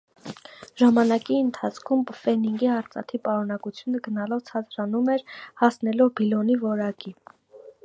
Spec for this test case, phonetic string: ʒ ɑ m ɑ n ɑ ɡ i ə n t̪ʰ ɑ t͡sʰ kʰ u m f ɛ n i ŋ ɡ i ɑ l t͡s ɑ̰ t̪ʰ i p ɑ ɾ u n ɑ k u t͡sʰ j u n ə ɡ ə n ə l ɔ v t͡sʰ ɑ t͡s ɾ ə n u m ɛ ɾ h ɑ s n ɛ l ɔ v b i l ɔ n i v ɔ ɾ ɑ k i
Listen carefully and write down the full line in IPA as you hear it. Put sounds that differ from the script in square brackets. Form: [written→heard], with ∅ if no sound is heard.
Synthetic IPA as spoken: ʒ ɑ m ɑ n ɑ [ɡ→k] i ə n t̪ʰ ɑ t͡sʰ kʰ u m f ɛ n i ŋ ɡ i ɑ [l→ɾ] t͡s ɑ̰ t̪ʰ i p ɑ ɾ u n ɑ k u t͡sʰ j u n ə ɡ ə n [ə→ɑ] l ɔ v t͡sʰ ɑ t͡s ɾ [ə→ɑ] n u m ɛ ɾ h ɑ s n ɛ l ɔ v b i l ɔ n i v ɔ ɾ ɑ k i